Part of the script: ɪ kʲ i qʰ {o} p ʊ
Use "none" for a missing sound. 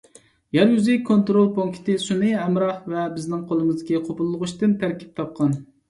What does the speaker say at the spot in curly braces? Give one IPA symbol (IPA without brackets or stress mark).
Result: o